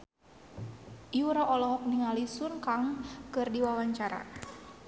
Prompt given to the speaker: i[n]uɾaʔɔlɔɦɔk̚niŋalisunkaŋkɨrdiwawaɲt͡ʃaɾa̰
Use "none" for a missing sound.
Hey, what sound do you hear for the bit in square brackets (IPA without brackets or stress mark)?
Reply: none